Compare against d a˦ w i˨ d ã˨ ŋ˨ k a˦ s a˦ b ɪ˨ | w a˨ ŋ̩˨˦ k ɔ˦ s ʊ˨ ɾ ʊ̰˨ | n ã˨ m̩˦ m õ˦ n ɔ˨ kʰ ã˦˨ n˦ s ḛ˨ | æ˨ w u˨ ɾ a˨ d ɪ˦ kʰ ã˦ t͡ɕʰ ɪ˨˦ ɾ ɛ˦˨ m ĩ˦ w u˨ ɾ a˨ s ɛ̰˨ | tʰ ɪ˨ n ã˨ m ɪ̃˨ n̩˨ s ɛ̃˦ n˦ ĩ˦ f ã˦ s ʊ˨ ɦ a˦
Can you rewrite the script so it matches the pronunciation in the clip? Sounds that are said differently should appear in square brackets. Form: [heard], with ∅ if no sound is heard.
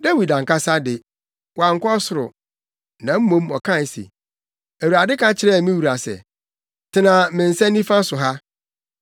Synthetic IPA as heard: d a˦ w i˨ d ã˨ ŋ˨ k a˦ s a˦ [d] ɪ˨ | w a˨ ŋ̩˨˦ k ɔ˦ s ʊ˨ ɾ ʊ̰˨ | n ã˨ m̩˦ m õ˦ [m] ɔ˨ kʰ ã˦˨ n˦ s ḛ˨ | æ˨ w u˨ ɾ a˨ d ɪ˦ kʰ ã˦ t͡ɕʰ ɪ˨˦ ɾ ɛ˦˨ m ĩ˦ w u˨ ɾ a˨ s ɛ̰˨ | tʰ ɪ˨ n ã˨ m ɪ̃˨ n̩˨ s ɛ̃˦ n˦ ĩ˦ f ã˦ s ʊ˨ ɦ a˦